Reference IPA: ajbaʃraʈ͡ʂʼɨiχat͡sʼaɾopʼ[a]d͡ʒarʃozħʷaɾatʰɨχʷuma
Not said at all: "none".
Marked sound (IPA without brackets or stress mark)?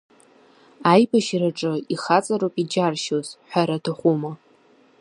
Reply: i